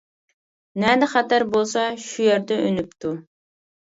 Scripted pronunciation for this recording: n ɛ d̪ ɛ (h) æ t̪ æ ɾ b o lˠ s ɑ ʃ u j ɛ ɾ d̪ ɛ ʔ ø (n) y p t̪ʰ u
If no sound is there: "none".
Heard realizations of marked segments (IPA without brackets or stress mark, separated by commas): χ, n